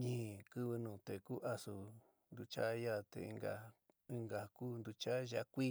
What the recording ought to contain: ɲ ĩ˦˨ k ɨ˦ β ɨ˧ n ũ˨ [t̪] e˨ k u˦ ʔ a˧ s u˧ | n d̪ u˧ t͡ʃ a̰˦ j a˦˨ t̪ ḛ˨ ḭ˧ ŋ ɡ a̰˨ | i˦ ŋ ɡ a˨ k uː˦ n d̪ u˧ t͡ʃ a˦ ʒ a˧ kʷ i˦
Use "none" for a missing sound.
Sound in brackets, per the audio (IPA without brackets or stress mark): t̪